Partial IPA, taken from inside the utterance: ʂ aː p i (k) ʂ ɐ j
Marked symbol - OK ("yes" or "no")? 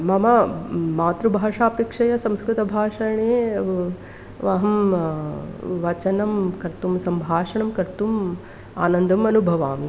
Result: yes